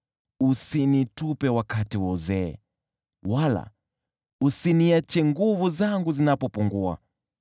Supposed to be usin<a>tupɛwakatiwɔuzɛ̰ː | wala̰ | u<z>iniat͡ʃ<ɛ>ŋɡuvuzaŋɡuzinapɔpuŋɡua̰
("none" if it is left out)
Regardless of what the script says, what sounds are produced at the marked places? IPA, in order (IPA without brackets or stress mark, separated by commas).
i, s, ɛ